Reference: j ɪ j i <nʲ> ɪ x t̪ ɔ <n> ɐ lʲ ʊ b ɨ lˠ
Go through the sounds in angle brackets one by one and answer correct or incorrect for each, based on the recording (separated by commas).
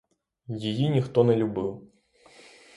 correct, correct